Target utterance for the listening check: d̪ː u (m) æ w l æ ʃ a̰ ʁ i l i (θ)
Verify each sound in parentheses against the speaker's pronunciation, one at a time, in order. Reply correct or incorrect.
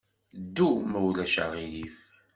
correct, incorrect: f

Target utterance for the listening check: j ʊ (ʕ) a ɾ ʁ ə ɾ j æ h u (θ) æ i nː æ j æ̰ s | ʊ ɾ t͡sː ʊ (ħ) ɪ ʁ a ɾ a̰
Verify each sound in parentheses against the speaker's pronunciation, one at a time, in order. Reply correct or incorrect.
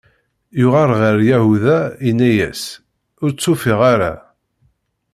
incorrect: ʁ, incorrect: ð, incorrect: f

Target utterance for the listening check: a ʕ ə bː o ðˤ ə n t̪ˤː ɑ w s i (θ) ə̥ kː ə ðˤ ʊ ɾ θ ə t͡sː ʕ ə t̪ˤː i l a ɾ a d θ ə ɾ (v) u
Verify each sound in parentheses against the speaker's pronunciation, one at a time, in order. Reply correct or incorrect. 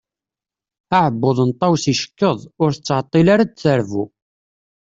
incorrect: ʃ, correct

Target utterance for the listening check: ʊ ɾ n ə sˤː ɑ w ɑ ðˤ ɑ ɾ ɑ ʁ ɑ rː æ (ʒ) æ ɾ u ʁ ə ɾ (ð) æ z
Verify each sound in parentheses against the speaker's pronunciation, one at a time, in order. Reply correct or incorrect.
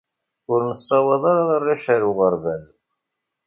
incorrect: ʃ, incorrect: v

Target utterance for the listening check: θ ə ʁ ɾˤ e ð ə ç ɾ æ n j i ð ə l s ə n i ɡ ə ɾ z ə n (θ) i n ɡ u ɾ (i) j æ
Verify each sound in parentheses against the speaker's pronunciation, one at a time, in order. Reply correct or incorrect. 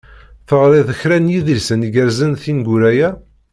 correct, incorrect: æ

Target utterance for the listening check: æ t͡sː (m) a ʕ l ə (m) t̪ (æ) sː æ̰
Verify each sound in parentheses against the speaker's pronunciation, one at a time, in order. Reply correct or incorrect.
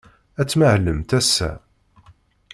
correct, correct, correct

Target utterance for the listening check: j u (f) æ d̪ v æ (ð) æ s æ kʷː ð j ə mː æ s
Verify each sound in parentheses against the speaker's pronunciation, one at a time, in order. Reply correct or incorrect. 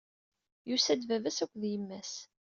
incorrect: s, incorrect: v

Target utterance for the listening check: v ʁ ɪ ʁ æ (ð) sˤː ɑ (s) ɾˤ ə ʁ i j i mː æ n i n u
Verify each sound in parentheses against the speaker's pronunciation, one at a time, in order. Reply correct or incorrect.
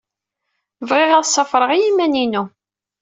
correct, incorrect: f

